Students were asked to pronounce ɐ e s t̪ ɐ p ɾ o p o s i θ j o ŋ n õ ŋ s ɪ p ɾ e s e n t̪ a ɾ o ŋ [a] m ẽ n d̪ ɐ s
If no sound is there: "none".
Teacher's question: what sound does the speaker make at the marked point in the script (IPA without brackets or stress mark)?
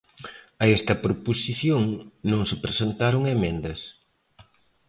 e